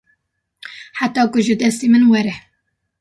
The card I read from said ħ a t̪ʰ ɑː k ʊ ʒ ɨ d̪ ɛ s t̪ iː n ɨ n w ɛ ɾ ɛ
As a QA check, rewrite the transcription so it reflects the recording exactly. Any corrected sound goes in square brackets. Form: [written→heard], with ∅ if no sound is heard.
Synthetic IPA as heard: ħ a [t̪ʰ→t̪] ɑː k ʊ ʒ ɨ d̪ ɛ s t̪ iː [n→m] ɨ n w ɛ ɾ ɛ